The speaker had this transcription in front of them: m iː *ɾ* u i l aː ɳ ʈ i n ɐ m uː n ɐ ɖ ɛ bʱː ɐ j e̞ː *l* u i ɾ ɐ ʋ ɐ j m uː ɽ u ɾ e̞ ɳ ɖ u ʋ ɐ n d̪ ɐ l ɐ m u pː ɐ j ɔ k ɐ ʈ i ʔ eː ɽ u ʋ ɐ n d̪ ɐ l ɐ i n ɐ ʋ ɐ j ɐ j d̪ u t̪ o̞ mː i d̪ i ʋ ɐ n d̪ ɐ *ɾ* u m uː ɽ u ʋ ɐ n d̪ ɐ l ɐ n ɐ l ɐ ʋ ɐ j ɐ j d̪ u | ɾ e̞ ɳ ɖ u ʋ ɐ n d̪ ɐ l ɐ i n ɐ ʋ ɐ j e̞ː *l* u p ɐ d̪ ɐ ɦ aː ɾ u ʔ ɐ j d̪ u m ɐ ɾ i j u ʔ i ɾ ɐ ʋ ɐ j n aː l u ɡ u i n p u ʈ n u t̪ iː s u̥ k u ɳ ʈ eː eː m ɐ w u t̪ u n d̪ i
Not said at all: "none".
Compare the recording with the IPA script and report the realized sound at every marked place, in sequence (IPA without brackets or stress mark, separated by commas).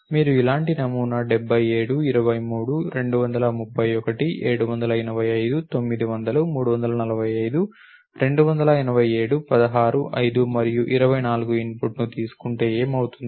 ɾ, ɽ, l, ɽ